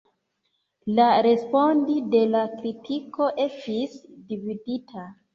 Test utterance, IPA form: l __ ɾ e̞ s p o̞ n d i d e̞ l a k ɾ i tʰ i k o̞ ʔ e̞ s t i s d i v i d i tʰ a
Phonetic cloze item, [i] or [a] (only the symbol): a